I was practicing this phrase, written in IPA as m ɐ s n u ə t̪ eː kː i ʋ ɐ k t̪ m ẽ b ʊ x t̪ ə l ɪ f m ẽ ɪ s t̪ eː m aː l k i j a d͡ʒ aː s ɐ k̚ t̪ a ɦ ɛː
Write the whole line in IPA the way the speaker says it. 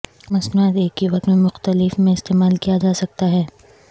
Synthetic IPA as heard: m ɐ s n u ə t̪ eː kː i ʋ ɐ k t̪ m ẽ m ʊ x t̪ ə l ɪ f m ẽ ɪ s t̪ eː m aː l k i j a d͡ʒ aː s ɐ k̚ t̪ a ɦ ɛː